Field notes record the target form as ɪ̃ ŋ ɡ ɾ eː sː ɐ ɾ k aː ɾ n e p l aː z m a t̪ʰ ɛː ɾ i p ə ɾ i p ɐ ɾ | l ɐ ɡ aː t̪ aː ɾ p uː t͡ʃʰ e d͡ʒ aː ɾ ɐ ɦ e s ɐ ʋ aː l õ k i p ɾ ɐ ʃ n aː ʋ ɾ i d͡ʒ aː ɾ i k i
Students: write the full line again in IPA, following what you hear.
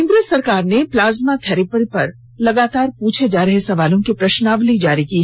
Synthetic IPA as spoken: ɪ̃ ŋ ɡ ɾ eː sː ɐ ɾ k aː ɾ n e p l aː z m a t̪ʰ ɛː ɾ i p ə ɾ i p ɐ ɾ | l ɐ ɡ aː t̪ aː ɾ p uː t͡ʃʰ e d͡ʒ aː ɾ ɐ ɦ e s ɐ ʋ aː l õ k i p ɾ ɐ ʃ n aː ʋ l i d͡ʒ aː ɾ i k i

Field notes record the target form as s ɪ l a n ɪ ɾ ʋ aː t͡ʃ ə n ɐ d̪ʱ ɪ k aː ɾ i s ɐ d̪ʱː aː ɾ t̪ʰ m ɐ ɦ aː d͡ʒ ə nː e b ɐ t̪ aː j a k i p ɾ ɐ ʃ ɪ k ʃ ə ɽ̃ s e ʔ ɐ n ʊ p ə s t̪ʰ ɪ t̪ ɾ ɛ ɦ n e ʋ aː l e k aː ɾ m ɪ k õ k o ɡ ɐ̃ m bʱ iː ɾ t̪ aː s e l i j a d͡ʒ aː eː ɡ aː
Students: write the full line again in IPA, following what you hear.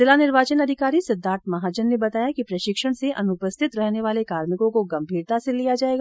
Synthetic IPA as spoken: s ɪ l a n ɪ ɾ ʋ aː t͡ʃ ə n ɐ d̪ʱ ɪ k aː ɾ i s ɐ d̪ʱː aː ɾ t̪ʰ m ɐ ɦ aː d͡ʒ ə nː e b ɐ t̪ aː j a k i p ɾ ɐ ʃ ɪ k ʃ ə ɽ̃ s e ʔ ɐ n ʊ p ə s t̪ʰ ɪ t̪ ɾ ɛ ɦ n e ʋ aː l e k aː ɾ m ɪ k õ k o ɡ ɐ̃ m bʱ iː ɾ t̪ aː s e l i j a d͡ʒ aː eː ɡ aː

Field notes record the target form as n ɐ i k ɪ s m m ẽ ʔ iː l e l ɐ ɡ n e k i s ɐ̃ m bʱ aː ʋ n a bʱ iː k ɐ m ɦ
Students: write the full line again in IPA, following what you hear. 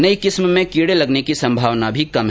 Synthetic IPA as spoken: n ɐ i k ɪ s m m ẽ k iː ɽ e l ɐ ɡ n e k i s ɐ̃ m bʱ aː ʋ n a bʱ i k ɐ m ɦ

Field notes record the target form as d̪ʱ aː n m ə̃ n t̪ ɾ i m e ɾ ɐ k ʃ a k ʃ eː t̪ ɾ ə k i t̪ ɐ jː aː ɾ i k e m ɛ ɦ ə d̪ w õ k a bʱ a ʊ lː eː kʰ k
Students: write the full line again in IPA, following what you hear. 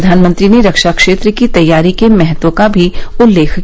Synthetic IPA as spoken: d̪ʱ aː n m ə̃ n t̪ ɾ i n e ɾ ɐ k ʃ a k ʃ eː t̪ ɾ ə k i t̪ ɐ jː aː ɾ i k e m ɛ ɦ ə t̪ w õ k a bʱ i ʊ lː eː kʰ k

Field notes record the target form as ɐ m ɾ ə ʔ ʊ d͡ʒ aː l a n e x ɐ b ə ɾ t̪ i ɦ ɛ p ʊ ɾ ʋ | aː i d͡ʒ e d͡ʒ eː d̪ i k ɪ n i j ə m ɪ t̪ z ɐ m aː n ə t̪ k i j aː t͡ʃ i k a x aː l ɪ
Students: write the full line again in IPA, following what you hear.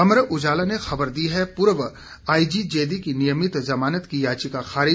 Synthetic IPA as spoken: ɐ m ɾ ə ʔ ʊ d͡ʒ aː l a n e x ɐ b ə ɾ d̪ i ɦ ɛ p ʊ ɾ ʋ | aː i d͡ʒ i d͡ʒ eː d̪ i k i n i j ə m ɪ t̪ z ɐ m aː n ə t̪ k i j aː t͡ʃ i k a x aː ɾ ɪ

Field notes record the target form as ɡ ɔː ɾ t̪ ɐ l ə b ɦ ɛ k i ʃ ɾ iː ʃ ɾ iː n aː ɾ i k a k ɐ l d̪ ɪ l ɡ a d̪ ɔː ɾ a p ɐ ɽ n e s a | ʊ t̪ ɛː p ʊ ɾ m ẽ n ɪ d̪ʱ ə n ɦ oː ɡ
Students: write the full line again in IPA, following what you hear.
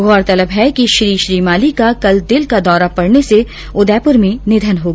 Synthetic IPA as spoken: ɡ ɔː ɾ t̪ ɐ l ə b ɦ ɛ k i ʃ ɾ iː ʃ ɾ iː m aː l i k a k ɐ l d̪ ɪ l k a d̪ ɔː ɾ a p ɐ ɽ n e s e | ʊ d̪ ɛː p ʊ ɾ m ẽ n ɪ d̪ʱ ə n ɦ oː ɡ

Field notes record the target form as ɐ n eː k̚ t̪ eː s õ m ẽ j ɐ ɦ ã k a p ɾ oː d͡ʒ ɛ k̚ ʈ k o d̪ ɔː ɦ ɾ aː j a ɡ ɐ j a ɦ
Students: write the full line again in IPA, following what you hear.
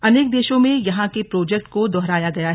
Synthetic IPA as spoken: ɐ n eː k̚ d̪ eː ʃ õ m ẽ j ɐ ɦ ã k e p ɾ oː d͡ʒ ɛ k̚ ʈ k o d̪ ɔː ɦ ɾ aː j a ɡ ɐ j a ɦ

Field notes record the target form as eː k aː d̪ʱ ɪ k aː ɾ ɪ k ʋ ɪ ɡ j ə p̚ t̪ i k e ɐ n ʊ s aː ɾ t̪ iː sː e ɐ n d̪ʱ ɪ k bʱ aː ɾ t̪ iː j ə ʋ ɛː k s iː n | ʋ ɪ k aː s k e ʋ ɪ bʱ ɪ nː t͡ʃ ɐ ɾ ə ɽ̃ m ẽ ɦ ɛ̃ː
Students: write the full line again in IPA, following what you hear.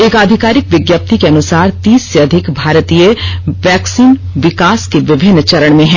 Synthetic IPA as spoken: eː k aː d̪ʱ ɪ k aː ɾ ɪ k ʋ ɪ ɡ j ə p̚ t̪ i k e ɐ n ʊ s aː ɾ t̪ iː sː e ɐ d̪ʱ ɪ k bʱ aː ɾ t̪ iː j ə ʋ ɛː k s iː n | ʋ ɪ k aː s k e ʋ ɪ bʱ ɪ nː t͡ʃ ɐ ɾ ə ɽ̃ m ẽ ɦ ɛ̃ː

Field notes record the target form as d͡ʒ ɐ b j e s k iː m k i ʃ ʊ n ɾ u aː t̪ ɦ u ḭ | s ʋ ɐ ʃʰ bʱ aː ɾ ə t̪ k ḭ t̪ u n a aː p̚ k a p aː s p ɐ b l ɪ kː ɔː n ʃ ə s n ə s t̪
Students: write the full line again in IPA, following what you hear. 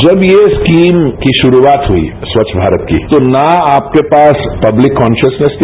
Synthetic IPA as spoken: d͡ʒ ɐ b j e s k iː m k i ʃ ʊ ɾ u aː t̪ ɦ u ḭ | s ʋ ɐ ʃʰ bʱ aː ɾ ə t̪ k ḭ t̪ o n a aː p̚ k e p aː s p ɐ b l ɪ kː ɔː n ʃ ə s n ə s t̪

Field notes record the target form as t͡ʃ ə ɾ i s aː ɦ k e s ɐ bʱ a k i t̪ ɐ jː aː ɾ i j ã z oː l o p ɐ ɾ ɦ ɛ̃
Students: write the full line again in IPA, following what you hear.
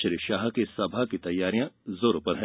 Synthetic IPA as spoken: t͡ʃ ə ɾ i ʃ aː ɦ k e s ɐ bʱ a k i t̪ ɐ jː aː ɾ i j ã z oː ɾ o p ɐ ɾ ɦ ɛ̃

